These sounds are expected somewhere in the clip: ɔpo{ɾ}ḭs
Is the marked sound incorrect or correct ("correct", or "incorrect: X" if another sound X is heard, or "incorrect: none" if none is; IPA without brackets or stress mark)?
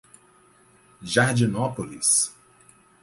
incorrect: l